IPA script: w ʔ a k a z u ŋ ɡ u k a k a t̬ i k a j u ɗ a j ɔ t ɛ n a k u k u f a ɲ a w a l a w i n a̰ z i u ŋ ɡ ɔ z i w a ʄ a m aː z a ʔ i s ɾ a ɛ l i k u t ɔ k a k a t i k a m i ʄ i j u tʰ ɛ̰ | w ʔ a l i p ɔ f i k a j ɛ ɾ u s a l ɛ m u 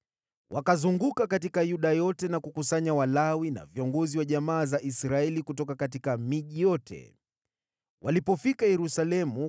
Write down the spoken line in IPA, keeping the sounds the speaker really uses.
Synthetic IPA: w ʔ a k a z u ŋ ɡ u k a k a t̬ i k a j u ɗ a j ɔ t ɛ n a k u k u s a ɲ a w a l a w i n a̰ v i ɔ ŋ ɡ ɔ z i w a ʄ a m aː z a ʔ i s ɾ a ɛ l i k u t ɔ k a k a t i k a m i ʄ i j ɔ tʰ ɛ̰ | w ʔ a l i p ɔ f i k a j ɛ ɾ u s a l ɛ m u